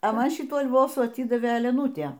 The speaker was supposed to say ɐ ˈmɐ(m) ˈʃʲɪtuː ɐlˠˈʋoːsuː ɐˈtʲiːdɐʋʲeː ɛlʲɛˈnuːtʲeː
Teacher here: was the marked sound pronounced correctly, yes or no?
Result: no